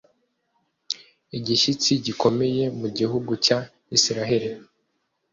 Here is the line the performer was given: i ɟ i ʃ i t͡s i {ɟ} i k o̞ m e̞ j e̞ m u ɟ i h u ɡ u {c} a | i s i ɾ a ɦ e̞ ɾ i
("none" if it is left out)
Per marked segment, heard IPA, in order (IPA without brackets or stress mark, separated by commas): ɟ, c